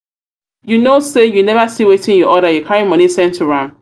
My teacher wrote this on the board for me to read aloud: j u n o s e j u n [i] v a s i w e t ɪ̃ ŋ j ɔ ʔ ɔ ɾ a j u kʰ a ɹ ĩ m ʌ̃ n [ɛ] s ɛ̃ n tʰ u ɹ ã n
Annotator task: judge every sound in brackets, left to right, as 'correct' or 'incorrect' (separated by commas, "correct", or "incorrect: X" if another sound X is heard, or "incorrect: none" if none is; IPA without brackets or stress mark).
incorrect: ɛ, incorrect: i